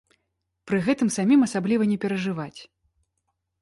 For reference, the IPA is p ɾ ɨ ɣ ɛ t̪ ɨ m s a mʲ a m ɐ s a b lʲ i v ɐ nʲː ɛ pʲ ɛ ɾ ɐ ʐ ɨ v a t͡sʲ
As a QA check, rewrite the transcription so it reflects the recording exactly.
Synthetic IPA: p ɾ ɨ ɣ ɛ t̪ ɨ m s a mʲ i m ɐ s a b lʲ i v ɐ nʲ ɛ pʲ ɛ ɾ ɐ ʐ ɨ v a t͡sʲ